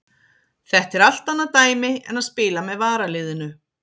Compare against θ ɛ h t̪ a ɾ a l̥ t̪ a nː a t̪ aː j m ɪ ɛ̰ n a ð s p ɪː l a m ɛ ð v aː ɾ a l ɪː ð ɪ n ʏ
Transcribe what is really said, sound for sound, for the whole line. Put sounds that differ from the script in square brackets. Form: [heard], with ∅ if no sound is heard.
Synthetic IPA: θ ɛ h t̪ [ɛ] ɾ a l̥ t̪ a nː a t̪ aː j m ɪ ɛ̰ n a ð s p ɪː l a m ɛ ð v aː ɾ a l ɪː ð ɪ n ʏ